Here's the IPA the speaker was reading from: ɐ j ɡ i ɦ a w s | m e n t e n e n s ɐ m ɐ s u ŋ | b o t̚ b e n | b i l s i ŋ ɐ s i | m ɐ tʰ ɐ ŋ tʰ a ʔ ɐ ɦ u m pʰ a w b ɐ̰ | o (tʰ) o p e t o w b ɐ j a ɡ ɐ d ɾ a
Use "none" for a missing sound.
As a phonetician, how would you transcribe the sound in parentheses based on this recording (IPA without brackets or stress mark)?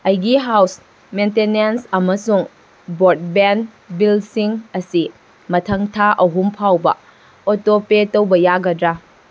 t